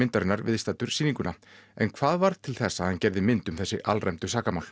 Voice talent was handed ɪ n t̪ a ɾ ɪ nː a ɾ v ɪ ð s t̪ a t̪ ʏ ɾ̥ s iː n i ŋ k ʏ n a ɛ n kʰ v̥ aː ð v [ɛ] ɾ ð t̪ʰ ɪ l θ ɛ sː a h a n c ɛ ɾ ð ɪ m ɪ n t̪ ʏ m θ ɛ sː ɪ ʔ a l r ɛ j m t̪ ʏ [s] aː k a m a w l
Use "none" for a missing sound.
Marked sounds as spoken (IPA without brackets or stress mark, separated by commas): a, s